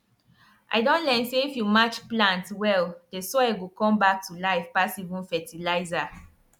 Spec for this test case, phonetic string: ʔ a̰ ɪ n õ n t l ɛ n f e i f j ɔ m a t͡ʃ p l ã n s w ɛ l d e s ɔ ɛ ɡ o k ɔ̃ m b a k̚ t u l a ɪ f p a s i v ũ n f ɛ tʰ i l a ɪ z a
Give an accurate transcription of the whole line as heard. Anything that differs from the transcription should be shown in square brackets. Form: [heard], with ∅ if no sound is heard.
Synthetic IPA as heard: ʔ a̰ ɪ [d] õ n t l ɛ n [s] e i f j [u] m a t͡ʃ p l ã n [t] w ɛ l d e s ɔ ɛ ɡ o k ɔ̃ m b a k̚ t u l a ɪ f p a s i v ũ n f ɛ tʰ i l a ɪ z a